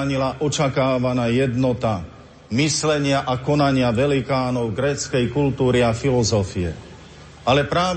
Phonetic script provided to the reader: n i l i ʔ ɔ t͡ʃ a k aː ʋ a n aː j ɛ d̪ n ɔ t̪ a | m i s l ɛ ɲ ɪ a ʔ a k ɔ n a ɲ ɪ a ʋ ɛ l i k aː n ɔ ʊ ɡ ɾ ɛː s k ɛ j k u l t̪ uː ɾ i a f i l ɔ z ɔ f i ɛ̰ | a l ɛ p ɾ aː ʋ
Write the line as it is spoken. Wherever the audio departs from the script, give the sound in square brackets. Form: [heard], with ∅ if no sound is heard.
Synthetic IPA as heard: [ɲ] i l [a] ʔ ɔ t͡ʃ a k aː ʋ a n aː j ɛ d̪ n ɔ t̪ a | m i s l ɛ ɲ ɪ a ʔ a k ɔ n a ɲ ɪ a ʋ ɛ l i k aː n ɔ ʊ ɡ ɾ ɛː [t͡s] k ɛ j k u l t̪ uː ɾ i a f i l ɔ z ɔ f i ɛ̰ | a l ɛ p ɾ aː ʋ